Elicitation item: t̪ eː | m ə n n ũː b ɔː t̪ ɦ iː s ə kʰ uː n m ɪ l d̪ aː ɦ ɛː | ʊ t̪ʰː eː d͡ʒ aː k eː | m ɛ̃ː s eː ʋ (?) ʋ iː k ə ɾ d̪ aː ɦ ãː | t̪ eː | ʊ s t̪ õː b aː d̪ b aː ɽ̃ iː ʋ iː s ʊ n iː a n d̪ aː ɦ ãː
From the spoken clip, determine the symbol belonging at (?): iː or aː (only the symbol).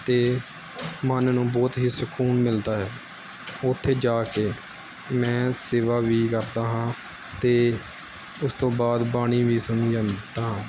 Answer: aː